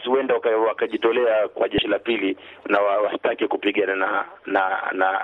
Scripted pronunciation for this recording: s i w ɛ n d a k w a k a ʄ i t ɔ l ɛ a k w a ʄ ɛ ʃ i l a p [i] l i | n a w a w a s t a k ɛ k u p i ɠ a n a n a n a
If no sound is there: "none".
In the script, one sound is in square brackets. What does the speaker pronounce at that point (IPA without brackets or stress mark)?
i